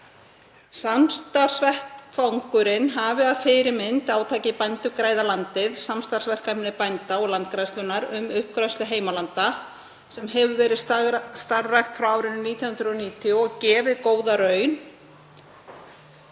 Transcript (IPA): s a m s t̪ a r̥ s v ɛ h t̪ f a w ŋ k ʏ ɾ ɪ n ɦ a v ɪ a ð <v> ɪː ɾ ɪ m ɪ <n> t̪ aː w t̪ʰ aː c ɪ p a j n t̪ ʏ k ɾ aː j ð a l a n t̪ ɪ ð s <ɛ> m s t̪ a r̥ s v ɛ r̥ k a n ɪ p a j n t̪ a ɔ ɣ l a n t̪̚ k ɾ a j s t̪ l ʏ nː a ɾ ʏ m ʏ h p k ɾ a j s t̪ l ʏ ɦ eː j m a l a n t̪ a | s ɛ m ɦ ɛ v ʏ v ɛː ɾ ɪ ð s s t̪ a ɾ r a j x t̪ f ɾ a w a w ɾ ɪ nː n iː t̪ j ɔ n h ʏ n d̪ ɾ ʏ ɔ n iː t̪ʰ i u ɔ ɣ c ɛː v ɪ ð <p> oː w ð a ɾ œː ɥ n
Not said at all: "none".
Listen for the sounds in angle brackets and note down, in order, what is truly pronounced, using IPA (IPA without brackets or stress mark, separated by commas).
f, n, a, k